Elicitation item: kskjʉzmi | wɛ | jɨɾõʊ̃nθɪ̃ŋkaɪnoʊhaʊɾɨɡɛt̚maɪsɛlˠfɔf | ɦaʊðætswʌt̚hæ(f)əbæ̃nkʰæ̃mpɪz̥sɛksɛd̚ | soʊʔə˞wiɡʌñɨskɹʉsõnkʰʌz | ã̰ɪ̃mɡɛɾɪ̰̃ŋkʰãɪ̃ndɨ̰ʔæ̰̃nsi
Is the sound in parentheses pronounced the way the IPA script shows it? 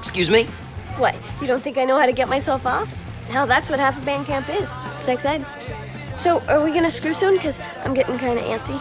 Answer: yes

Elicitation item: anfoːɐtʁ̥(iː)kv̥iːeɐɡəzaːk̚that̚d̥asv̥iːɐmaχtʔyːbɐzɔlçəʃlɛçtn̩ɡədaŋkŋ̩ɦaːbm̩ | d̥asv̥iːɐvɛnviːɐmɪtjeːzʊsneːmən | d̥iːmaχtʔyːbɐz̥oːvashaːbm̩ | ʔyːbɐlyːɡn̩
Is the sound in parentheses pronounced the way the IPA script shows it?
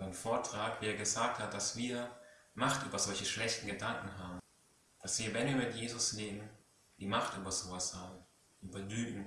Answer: no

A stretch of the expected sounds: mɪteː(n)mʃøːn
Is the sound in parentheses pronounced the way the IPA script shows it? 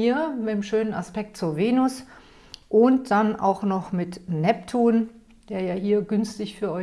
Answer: no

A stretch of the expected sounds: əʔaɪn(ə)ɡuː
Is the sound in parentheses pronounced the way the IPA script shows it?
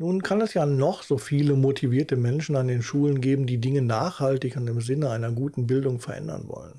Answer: no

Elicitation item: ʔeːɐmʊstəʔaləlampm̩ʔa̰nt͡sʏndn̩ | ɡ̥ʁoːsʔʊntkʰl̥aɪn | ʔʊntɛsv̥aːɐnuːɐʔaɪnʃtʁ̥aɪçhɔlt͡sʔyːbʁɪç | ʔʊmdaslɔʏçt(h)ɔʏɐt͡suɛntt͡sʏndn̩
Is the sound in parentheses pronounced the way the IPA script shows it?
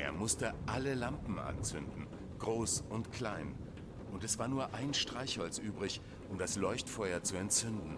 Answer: no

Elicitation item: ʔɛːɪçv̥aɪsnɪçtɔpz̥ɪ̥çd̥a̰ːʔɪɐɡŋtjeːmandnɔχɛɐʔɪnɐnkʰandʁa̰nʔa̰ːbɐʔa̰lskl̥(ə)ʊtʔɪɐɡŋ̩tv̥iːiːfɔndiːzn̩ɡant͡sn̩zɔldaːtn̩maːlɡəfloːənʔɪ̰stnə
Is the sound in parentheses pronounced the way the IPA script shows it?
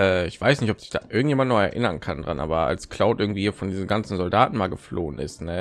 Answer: no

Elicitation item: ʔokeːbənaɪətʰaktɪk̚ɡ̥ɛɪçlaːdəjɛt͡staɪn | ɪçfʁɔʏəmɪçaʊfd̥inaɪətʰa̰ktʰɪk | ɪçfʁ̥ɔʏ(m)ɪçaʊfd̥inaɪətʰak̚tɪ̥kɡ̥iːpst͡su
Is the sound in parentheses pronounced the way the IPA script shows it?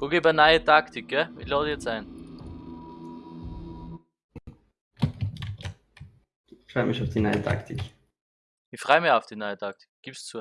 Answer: yes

